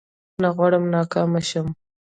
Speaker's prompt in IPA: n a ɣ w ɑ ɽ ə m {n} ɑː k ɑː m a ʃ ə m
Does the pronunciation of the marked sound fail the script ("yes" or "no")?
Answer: no